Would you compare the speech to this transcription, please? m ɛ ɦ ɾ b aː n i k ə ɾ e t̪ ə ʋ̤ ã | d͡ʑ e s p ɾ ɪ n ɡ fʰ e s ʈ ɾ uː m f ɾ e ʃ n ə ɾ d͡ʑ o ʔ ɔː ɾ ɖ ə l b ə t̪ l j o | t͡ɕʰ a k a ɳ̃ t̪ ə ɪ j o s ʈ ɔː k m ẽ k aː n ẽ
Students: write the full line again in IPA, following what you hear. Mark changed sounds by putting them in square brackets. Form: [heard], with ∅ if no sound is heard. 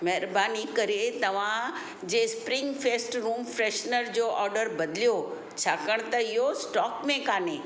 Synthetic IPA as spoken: m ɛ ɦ ɾ b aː n i k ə ɾ e t̪ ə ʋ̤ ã | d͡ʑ e s p ɾ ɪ [ŋ] ɡ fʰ e s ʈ ɾ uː m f ɾ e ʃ n ə ɾ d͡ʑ o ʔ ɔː ɾ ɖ ə [ɾ] b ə [d̪] l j o | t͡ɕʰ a k [ə] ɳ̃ t̪ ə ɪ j o s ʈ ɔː k m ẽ k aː n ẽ